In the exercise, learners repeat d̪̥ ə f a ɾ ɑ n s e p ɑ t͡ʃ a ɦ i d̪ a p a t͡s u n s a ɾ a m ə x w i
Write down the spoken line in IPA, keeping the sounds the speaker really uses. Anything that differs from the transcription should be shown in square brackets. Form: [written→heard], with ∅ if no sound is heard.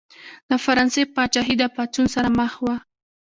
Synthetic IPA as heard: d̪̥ ə f a ɾ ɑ n s e p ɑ t͡ʃ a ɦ i d̪ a p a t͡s u n s a ɾ a m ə x w [i→a]